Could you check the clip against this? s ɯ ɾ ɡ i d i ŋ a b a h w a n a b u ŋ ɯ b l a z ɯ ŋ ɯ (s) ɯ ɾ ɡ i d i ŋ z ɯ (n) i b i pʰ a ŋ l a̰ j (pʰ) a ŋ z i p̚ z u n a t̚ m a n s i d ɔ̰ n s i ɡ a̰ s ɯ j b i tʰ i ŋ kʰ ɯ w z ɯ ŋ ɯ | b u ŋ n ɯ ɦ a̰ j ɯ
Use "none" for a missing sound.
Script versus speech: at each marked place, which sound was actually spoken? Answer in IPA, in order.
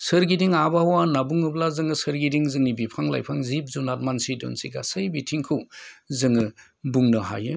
s, ŋ, pʰ

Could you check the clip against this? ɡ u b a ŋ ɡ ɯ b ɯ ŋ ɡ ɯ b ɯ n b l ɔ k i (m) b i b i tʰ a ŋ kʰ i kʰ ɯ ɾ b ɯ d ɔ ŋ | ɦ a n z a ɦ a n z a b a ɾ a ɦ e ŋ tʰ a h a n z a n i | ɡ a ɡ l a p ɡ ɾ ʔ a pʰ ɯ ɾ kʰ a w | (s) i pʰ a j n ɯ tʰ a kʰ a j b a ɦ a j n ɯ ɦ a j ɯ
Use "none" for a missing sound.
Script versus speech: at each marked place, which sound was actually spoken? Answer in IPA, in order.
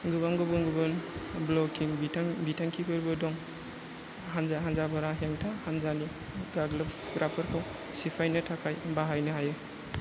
ŋ, s

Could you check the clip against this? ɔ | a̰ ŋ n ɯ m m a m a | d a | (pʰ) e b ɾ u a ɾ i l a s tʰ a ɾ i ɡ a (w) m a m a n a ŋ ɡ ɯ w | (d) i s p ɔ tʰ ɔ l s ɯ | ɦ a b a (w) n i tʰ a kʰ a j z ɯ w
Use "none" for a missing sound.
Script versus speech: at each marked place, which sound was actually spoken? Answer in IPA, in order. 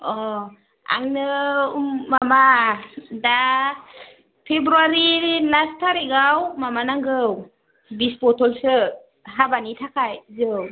pʰ, w, b, none

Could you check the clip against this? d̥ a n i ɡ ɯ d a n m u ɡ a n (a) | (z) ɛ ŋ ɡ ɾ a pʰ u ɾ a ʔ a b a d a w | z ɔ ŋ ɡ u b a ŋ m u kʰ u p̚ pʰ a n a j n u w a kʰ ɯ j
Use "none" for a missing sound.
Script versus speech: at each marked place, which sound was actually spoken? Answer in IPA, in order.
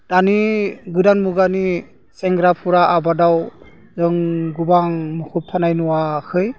i, s

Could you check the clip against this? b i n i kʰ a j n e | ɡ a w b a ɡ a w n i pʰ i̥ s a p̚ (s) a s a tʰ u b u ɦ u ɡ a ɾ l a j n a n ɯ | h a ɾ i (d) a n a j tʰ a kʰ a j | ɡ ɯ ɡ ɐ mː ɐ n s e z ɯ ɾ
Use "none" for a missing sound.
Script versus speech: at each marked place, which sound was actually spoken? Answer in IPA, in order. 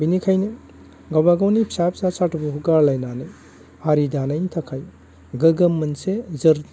s, d

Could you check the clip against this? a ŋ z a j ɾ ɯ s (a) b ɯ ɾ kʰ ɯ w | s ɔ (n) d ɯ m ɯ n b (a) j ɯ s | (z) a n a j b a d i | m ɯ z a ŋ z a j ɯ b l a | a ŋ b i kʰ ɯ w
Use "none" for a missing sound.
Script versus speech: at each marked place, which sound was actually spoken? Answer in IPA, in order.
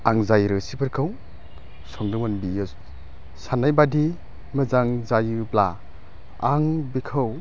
i, ŋ, i, s

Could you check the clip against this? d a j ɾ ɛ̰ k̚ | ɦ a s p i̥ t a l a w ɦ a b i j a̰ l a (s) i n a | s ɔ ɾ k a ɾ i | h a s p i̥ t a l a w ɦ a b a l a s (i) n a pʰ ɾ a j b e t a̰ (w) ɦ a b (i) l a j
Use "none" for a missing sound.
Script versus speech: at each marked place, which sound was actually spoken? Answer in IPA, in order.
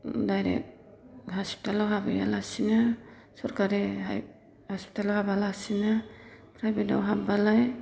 s, i, w, a

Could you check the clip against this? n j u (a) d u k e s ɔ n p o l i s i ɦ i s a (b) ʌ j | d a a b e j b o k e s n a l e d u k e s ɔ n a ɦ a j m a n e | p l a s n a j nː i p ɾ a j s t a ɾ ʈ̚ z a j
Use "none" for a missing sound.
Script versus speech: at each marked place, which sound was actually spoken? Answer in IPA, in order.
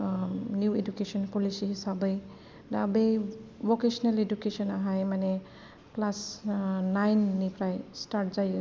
e, b

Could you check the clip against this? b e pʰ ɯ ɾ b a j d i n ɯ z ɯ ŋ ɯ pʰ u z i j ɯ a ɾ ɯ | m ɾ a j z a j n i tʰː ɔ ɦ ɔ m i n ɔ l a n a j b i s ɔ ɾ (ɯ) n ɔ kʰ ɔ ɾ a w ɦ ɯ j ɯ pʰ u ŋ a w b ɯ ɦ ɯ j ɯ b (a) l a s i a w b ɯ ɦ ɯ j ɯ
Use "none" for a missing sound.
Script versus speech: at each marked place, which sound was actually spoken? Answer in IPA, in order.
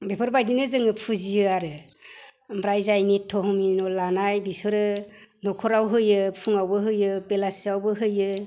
ɯ, e

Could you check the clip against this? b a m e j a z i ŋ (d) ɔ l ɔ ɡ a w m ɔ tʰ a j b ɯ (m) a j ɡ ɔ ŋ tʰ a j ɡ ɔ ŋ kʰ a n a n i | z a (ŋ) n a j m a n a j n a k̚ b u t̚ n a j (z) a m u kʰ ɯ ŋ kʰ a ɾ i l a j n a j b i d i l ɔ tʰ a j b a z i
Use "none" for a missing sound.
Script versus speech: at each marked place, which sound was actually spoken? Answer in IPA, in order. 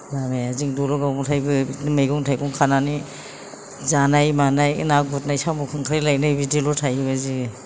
d, m, none, s

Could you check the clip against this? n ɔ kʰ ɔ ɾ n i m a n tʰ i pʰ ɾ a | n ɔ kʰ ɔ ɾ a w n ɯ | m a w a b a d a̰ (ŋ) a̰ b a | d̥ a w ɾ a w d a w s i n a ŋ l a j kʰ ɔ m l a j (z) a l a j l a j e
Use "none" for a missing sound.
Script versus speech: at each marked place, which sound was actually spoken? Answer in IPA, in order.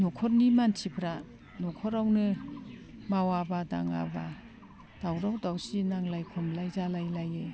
ŋ, z

